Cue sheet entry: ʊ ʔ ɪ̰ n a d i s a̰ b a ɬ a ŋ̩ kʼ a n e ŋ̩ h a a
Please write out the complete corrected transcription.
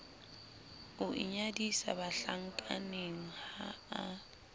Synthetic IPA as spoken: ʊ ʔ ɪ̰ ɲ a d i s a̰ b a ɬ a ŋ̩ kʼ a n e ŋ̩ h a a